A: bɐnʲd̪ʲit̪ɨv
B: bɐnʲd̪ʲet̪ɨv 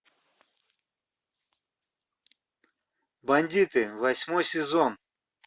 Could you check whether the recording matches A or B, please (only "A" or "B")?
A